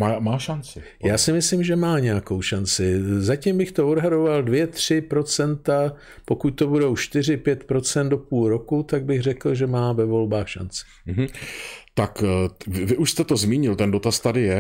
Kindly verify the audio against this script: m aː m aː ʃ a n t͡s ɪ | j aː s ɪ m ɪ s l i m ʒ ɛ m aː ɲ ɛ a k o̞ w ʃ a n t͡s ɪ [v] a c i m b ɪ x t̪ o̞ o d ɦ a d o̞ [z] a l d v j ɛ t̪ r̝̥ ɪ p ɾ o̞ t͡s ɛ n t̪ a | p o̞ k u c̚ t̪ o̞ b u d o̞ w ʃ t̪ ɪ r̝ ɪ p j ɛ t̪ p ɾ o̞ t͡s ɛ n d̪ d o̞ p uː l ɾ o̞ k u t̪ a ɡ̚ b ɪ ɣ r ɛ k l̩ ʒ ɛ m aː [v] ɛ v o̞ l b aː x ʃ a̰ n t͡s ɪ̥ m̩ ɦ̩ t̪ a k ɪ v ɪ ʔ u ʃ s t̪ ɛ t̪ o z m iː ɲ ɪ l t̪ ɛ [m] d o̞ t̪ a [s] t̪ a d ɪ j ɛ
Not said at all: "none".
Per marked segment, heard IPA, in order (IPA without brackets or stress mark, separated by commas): z, v, v, n, s